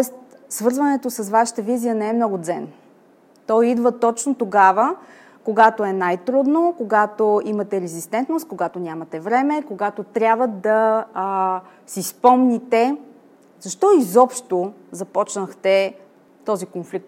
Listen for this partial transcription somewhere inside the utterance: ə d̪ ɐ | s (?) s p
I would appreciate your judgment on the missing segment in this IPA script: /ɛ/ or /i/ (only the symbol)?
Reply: i